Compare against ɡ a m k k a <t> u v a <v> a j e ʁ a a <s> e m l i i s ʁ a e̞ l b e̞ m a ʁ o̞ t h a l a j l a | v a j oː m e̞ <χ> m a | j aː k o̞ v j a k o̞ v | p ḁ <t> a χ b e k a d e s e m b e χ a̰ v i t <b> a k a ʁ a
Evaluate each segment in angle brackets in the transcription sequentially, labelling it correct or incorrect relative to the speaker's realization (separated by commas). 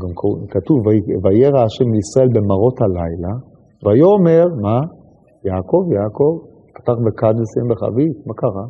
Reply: correct, correct, incorrect, incorrect, correct, incorrect